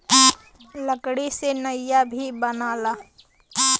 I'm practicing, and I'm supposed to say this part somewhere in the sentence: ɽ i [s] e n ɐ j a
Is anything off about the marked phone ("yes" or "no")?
no